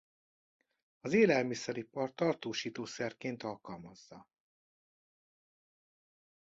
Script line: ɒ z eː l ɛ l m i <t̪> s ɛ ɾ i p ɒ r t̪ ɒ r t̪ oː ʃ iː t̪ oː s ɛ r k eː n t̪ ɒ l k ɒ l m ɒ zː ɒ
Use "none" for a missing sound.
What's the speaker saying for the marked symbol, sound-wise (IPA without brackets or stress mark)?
none